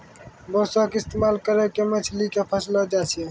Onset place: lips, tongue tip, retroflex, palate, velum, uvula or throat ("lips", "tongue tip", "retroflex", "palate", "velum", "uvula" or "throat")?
lips